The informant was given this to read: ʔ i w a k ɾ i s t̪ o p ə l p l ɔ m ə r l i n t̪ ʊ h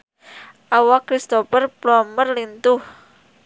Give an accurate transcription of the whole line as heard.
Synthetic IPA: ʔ a w a k ɾ i s t̪ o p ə r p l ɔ m ə r l i n t̪ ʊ h

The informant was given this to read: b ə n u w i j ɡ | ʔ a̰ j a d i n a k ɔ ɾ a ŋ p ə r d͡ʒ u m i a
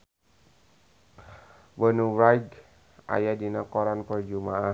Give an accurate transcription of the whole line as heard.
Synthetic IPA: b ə n u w a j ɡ | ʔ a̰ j a d i n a k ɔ ɾ a n p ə r d͡ʒ u m a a

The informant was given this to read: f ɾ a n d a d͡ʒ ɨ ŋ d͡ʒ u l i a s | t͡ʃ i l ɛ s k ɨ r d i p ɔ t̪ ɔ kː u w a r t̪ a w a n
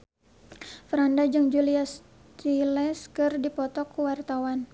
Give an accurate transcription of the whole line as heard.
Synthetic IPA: f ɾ a n d a d͡ʒ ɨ ŋ d͡ʒ u l i a s | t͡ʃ i l ɛ s k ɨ r d i p ɔ t̪ ɔ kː u w a r t̪ a w a n

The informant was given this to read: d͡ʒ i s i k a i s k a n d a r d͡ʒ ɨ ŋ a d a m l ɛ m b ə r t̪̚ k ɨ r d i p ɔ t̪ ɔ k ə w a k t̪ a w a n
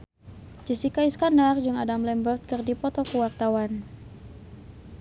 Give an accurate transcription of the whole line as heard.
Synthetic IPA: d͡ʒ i s i k a i s k a n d a r d͡ʒ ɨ ŋ a d a m l ɛ m b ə r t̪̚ k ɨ r d i p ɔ t̪ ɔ k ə w a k t̪ a w a n

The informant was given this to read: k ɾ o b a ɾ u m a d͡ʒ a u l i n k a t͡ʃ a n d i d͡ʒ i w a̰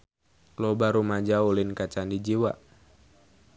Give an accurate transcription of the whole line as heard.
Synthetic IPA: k l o b a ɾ u m a d͡ʒ a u l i n k a t͡ʃ a n d i d͡ʒ i w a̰

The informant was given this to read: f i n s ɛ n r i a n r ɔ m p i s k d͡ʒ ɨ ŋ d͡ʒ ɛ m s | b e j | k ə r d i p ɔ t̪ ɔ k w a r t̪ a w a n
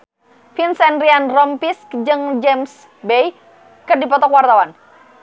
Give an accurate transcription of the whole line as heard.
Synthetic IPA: f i n s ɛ n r i a n r ɔ m p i s k d͡ʒ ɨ ŋ d͡ʒ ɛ m s | b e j | k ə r d i p ɔ t̪ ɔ k w a r t̪ a w a n

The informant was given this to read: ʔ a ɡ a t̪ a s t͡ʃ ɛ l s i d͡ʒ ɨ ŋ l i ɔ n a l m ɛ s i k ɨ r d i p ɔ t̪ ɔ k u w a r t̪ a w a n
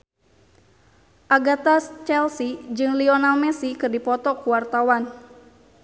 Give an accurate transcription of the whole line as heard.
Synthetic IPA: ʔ a ɡ a t̪ a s t͡ʃ ɛ l s i d͡ʒ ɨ ŋ l i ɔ n a l m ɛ s i k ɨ r d i p ɔ t̪ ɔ k u w a r t̪ a w a n

